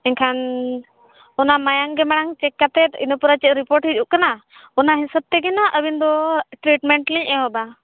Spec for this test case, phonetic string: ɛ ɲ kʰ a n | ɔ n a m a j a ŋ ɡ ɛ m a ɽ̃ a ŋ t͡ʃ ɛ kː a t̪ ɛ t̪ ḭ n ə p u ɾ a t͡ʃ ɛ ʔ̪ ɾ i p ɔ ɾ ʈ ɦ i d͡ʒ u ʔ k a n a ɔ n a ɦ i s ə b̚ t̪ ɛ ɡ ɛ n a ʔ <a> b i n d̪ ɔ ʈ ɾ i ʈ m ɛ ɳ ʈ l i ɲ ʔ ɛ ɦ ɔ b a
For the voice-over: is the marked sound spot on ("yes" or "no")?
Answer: no